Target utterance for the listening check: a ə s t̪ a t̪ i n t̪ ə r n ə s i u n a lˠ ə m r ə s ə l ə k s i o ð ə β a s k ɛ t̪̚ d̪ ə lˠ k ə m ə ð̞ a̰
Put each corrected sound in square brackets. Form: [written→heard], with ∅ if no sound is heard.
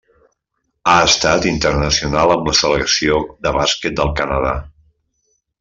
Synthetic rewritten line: a ə s t̪ a t̪ i n t̪ ə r n ə s i u n a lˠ ə m [r→l] ə s ə l ə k s i o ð ə β a s k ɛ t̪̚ d̪ ə lˠ k ə [m→n] ə ð̞ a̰